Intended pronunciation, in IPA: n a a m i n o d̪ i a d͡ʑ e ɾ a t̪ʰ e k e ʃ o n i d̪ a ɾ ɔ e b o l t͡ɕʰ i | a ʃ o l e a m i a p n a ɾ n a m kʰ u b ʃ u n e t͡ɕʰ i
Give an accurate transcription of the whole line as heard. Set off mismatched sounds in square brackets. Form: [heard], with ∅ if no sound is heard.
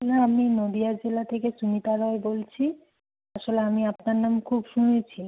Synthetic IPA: n a a m i n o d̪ i a d͡ʑ e [l] a t̪ʰ e k e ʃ [u] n i [t̪] a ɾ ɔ e b o l t͡ɕʰ i | a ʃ o l e a m i a p n a ɾ n a m kʰ u b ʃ u n e t͡ɕʰ i

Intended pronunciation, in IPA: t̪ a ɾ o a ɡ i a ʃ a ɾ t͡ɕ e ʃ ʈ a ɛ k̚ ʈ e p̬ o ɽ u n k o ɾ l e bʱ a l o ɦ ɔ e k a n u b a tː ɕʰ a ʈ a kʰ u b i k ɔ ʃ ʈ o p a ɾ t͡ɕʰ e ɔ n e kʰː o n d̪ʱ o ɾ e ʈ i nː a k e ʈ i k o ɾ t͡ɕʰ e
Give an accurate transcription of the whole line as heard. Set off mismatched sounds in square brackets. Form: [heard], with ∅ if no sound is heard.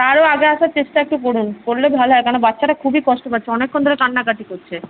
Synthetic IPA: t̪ a ɾ o a ɡ [e] a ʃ a ɾ t͡ɕ e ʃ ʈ a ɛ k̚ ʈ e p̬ o ɽ u n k o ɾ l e bʱ a l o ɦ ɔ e k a n [o] b a tː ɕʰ a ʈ a kʰ u b i k ɔ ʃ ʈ o p a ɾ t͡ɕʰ e ɔ n e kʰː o n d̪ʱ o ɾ e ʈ [a] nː a k [a] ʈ i k o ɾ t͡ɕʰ e

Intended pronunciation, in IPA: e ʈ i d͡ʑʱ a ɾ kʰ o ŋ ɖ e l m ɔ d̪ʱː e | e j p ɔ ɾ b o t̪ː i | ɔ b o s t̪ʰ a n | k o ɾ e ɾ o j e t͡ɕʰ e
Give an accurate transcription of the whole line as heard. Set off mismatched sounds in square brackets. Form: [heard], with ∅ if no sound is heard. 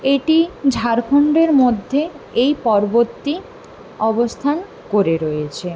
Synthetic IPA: e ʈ i d͡ʑʱ a ɾ kʰ o [ɳ] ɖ e [ɾ] m [o] d̪ʱː e | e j p ɔ ɾ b o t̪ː i | ɔ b o s t̪ʰ a n | k o ɾ e ɾ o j e t͡ɕʰ e

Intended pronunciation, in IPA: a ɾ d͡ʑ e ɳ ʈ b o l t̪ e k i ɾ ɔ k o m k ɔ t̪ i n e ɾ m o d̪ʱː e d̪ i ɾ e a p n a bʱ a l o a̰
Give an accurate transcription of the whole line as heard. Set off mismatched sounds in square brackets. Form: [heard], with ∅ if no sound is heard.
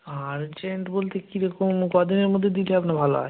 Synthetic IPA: a ɾ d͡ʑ e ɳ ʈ b o l t̪ e k i ɾ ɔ k o m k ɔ [d̪] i n e ɾ m o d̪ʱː e d̪ i [l] e a p n a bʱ a l o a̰

